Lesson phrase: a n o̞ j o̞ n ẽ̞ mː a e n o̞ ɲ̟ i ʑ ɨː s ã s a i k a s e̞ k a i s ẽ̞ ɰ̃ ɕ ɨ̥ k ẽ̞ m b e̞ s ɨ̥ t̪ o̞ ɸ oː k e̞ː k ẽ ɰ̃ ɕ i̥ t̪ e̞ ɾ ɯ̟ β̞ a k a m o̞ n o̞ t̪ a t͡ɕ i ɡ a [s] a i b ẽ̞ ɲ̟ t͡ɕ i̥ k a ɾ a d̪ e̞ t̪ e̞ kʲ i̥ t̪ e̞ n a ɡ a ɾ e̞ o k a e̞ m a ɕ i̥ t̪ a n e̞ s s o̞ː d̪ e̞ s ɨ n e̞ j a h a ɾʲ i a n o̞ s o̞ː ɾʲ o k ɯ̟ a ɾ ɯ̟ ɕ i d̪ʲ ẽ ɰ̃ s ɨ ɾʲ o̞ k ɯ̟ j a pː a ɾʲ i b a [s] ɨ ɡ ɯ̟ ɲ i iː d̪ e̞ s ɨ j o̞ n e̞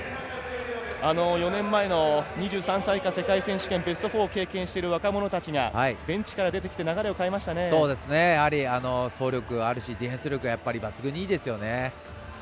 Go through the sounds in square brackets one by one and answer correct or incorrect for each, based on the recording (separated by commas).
incorrect, incorrect